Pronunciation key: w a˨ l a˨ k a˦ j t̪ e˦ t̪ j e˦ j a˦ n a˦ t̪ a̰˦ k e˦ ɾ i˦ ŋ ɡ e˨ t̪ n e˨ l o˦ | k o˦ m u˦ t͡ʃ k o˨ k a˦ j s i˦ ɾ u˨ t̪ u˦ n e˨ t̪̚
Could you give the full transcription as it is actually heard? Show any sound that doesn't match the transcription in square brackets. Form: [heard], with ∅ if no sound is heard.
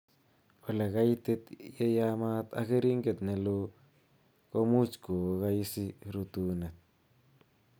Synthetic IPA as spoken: w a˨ l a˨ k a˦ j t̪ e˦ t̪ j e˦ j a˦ [m] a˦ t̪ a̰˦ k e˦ ɾ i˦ ŋ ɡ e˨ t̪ n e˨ l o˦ | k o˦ m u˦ t͡ʃ k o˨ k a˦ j s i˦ ɾ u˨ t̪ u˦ n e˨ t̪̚